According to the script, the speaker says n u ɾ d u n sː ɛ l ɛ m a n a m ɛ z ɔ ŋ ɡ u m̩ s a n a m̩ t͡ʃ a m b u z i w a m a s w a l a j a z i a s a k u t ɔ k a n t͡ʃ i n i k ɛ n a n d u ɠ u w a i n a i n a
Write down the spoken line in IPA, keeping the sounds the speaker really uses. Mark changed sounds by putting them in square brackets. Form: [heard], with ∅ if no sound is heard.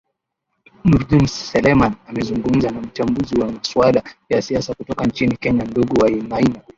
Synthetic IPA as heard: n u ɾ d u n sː ɛ l ɛ m a n a m ɛ z [u] ŋ ɡ u m̩ [z] a n a m̩ t͡ʃ a m b u z i w a m a s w a l a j a [s] i a s a k u t ɔ k a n t͡ʃ i n i k ɛ [ɲ] a n d u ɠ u w a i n a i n a